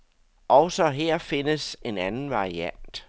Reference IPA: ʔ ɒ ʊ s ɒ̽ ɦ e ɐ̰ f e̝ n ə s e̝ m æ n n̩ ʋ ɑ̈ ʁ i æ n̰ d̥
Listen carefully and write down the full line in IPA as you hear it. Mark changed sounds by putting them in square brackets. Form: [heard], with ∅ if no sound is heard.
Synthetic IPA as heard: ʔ ɒ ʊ s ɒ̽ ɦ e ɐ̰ f e̝ n ə s e̝ [n] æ n n̩ ʋ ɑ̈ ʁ i æ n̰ d̥